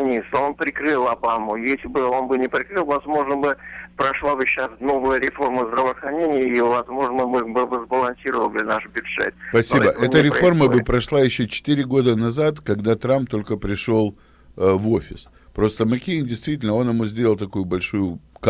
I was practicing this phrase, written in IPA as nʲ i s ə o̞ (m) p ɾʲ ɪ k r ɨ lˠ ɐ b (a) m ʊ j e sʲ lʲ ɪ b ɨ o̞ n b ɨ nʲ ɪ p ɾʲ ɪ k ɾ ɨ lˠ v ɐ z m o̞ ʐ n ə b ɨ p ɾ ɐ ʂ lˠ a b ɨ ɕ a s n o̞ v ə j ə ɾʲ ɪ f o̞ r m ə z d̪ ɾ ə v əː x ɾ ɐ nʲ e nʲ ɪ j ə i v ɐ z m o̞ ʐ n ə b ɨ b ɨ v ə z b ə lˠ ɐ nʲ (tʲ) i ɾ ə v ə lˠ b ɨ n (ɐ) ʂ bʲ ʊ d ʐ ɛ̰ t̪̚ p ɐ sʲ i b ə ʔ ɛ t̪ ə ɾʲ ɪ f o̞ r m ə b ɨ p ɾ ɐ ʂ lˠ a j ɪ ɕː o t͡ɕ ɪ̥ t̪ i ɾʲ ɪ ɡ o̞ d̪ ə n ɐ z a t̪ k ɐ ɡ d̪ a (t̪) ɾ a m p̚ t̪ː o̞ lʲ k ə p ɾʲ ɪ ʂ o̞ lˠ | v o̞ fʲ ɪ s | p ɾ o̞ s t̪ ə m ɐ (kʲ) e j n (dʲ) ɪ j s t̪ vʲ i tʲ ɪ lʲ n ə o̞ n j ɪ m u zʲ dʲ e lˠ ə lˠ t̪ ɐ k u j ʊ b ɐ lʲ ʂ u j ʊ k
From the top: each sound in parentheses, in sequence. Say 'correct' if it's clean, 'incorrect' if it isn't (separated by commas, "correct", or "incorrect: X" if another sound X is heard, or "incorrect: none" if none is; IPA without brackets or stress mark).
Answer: incorrect: n, correct, incorrect: sʲ, incorrect: a, correct, correct, correct